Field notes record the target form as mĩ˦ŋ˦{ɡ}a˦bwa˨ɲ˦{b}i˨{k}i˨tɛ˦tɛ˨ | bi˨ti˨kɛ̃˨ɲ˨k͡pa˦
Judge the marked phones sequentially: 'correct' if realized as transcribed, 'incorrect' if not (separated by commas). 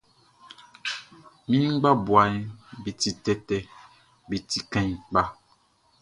incorrect, correct, incorrect